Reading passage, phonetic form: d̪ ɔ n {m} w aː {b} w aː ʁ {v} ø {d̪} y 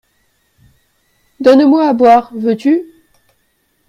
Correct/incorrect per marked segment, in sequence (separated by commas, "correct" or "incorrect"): correct, correct, correct, incorrect